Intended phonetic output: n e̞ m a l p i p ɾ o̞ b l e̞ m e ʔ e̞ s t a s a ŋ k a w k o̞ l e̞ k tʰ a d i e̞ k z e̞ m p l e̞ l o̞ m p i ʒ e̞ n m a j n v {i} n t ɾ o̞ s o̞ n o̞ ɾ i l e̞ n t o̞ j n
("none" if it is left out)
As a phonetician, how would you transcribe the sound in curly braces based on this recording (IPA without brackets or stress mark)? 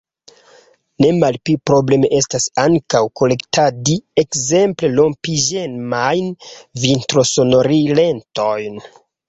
i